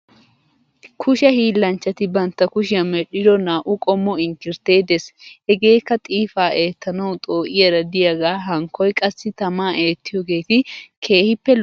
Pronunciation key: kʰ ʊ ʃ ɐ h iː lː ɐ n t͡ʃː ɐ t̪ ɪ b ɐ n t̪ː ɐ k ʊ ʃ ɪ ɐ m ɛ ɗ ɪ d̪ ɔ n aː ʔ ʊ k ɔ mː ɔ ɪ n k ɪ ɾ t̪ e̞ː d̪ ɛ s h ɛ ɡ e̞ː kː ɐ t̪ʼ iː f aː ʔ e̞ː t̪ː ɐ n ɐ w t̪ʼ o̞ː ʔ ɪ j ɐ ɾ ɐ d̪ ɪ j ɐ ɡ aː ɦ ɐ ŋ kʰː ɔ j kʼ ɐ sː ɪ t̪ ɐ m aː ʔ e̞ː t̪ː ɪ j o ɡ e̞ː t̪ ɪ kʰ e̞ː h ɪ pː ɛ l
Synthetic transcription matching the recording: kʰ ʊ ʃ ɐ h iː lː ɐ n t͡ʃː ɐ t̪ ɪ b ɐ n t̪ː ɐ k ʊ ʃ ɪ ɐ m ɛ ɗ ɪ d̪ ɔ n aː ʔ ʊ kʼ ɔ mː ɔ ɪ ŋ k ɪ ɾ t̪ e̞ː d̪ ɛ s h ɛ ɡ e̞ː kː ɐ t̪ʼ iː f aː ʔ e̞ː t̪ː ɐ n ɐ w t̪ʼ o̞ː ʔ ɪ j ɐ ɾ ɐ d̪ ɪ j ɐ ɡ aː ɦ ɐ ŋ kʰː ɔ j kʼ ɐ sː ɪ t̪ ɐ m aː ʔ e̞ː t̪ː ɪ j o ɡ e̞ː t̪ ɪ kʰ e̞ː h ɪ pː ɛ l